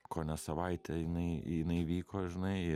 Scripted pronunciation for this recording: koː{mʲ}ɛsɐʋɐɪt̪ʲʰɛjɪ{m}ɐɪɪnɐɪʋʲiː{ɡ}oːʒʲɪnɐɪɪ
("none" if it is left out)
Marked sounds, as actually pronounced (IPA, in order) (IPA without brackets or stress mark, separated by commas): nʲ, n, k